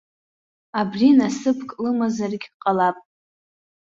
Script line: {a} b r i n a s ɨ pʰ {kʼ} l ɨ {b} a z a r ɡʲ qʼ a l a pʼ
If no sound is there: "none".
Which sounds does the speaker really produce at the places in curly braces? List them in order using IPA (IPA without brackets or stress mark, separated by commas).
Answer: a, kʼ, m